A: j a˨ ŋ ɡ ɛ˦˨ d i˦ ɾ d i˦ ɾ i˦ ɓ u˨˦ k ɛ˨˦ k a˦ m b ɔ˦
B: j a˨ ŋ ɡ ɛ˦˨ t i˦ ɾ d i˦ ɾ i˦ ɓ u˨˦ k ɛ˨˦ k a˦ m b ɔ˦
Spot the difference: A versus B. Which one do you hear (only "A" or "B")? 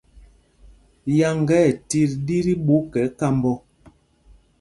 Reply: B